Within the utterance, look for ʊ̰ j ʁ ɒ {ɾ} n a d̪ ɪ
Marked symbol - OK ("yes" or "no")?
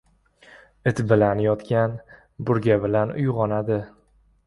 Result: no